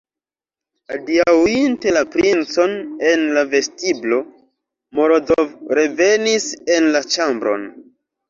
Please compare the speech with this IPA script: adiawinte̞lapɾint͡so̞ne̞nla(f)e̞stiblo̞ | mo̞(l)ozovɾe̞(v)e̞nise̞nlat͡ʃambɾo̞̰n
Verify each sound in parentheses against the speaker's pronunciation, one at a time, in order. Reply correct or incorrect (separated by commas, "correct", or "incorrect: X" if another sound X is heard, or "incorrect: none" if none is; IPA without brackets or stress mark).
incorrect: v, incorrect: ɾ, correct